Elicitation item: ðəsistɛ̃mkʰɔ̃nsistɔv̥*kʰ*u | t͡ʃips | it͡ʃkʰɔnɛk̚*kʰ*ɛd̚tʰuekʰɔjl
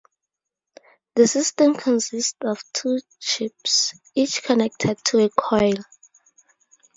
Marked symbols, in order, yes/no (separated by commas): no, no